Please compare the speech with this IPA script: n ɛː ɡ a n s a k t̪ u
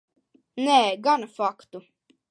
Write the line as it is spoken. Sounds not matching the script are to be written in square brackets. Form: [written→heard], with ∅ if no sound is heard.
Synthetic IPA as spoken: n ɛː ɡ a n [s→f] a k t̪ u